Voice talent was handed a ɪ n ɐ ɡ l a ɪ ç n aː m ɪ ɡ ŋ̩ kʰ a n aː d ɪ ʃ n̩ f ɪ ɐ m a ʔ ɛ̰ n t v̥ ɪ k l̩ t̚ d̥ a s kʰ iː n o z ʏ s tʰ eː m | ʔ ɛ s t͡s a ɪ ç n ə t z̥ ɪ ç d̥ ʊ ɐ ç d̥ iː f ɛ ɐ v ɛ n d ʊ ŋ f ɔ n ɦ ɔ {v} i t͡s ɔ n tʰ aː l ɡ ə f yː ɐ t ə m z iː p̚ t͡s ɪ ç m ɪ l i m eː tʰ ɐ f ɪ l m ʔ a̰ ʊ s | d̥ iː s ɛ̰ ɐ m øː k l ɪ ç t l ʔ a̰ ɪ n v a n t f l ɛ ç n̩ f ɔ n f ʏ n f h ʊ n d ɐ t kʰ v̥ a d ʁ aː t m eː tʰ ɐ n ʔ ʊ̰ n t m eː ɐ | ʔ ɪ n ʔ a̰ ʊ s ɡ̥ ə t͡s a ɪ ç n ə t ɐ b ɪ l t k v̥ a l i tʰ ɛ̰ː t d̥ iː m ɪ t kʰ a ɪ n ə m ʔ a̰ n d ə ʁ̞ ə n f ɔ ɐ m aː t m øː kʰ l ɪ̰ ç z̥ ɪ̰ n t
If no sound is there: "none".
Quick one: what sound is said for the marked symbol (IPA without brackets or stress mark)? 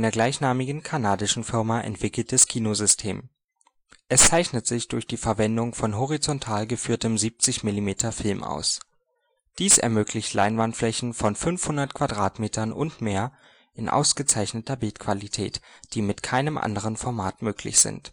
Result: ʁ